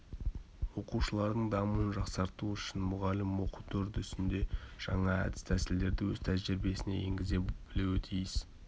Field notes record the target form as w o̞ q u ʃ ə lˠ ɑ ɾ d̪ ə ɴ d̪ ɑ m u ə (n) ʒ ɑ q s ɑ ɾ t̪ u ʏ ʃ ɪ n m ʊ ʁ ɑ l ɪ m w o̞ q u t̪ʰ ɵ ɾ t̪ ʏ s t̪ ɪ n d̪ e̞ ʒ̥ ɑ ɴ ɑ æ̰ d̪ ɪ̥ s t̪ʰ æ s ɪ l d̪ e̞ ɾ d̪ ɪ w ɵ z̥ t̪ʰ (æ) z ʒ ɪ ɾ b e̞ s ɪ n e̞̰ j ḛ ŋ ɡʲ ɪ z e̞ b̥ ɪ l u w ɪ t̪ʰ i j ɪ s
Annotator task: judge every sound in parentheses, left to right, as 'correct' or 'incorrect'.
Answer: correct, correct

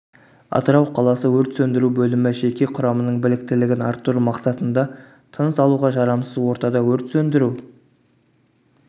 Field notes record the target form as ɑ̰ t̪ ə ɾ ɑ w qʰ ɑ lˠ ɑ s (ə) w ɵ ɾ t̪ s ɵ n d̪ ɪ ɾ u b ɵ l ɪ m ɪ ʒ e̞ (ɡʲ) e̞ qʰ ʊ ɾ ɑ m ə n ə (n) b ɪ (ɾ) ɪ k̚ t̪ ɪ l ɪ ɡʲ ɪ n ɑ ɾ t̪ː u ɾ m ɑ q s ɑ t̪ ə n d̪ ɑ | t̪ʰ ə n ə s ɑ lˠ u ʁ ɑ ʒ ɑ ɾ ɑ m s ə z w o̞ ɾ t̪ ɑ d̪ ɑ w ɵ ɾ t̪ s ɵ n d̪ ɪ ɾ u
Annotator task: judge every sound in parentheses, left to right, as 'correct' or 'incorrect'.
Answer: correct, incorrect: kʲ, incorrect: ɴ, incorrect: l

